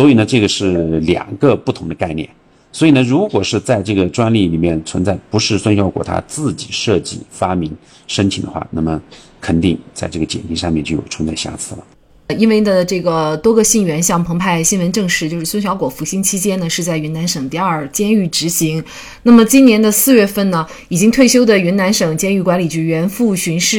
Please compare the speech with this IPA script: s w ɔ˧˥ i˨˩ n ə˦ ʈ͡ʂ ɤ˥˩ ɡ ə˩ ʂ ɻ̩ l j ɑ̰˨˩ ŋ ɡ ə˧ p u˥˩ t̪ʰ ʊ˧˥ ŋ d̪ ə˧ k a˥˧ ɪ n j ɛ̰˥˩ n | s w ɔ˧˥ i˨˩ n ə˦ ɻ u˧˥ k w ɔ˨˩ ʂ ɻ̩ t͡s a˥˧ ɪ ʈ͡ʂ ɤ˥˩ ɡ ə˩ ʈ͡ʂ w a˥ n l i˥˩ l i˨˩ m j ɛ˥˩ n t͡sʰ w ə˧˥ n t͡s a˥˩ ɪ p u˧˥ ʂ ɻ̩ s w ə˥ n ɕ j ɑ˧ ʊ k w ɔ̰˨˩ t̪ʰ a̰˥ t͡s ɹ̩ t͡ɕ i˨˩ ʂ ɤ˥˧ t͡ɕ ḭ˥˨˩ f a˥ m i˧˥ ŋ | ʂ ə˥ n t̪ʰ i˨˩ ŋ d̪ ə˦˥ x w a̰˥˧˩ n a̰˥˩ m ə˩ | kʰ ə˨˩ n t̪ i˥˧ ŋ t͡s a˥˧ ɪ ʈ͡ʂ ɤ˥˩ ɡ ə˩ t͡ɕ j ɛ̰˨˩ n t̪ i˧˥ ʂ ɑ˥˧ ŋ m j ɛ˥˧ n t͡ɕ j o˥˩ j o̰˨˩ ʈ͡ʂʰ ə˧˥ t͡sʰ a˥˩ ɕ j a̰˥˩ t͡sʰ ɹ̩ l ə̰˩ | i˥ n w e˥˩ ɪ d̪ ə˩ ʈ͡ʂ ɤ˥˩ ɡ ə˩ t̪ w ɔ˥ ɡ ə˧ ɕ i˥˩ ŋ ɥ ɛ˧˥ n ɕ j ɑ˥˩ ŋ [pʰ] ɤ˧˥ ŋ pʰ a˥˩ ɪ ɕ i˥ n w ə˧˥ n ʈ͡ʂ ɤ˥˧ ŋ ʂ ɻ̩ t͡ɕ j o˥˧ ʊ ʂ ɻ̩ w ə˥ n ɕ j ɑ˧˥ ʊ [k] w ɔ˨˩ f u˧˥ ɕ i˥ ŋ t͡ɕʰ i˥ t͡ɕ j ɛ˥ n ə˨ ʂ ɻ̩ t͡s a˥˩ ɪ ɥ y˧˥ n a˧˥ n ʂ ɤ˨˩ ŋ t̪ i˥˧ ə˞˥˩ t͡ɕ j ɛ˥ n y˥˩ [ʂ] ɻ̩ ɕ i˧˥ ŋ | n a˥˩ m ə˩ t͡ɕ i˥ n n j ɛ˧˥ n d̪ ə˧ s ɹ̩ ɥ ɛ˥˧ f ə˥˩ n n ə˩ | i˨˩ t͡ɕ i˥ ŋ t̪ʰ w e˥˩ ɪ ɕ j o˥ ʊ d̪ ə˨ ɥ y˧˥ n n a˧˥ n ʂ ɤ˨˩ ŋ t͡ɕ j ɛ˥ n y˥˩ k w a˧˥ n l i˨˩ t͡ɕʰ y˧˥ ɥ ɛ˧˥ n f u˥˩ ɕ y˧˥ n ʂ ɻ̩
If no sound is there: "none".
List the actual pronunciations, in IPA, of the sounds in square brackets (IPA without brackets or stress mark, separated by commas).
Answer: pʰ, k, ʈ͡ʂ